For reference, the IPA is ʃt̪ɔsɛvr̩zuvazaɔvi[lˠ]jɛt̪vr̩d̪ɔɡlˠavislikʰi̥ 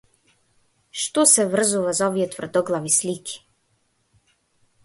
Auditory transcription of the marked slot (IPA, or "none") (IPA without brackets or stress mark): none